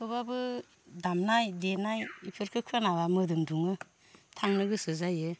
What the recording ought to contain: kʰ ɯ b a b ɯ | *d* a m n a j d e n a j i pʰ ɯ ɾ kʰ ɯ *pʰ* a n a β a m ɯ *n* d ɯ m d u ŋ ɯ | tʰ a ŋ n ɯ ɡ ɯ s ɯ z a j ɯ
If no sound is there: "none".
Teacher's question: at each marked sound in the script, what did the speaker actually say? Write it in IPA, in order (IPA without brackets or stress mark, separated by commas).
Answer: d, kʰ, none